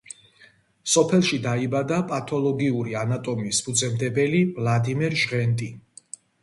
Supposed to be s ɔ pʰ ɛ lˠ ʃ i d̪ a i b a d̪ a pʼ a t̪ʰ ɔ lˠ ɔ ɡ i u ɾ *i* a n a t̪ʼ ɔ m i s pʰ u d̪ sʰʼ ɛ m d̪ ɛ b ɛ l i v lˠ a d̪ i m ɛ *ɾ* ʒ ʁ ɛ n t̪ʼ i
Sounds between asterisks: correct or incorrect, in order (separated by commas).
correct, correct